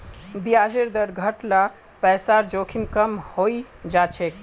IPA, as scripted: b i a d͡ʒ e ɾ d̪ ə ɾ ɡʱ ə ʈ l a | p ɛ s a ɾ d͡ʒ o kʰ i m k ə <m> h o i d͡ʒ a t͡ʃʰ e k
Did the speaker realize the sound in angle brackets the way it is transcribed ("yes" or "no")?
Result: yes